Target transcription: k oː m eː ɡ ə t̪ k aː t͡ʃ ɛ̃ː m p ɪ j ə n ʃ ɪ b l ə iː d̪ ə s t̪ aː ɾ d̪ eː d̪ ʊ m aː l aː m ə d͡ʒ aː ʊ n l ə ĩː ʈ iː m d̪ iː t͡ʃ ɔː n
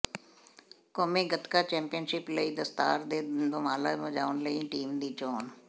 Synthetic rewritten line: k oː m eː ɡ ə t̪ k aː t͡ʃ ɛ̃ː m p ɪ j ə n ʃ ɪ p l ə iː d̪ ə s t̪ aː ɾ d̪ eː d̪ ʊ m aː l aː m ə d͡ʒ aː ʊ n l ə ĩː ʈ iː m d̪ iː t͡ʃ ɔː n